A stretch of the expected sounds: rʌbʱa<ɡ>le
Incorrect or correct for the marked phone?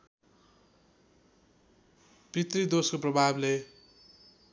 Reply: incorrect: b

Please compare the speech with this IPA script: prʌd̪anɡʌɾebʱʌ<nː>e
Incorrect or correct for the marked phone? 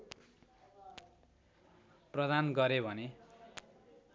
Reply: incorrect: n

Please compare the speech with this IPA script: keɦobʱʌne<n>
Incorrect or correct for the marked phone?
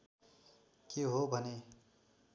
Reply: incorrect: none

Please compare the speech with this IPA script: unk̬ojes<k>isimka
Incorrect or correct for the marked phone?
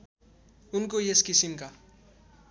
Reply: correct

